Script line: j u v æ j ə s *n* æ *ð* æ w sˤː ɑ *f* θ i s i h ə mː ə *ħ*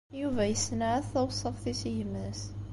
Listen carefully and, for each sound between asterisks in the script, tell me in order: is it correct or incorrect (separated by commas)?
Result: correct, incorrect, correct, incorrect